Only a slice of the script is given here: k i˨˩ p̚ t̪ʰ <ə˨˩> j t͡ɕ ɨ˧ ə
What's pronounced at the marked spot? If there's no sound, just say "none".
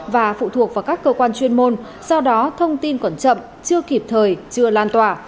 əː˨˩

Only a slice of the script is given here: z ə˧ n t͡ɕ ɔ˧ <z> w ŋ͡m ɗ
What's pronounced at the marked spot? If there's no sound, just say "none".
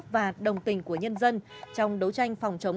none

